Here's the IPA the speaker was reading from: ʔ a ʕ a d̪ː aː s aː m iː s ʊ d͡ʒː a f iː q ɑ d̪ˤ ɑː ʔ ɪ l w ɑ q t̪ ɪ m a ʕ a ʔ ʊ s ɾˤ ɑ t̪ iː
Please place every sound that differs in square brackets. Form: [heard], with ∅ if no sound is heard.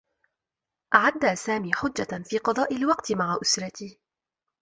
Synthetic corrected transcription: ʔ a ʕ a d̪ː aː s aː m iː [ħ] ʊ d͡ʒː a f iː q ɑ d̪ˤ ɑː ʔ ɪ l w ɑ q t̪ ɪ m a ʕ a ʔ ʊ s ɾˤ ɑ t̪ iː